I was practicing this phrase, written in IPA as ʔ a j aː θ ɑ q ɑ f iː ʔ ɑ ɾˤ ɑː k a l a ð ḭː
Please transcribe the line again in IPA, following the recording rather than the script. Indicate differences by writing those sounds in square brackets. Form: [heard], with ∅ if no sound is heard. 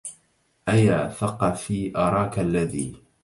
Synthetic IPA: ʔ a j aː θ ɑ q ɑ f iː ʔ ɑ ɾˤ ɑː k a [lː] a ð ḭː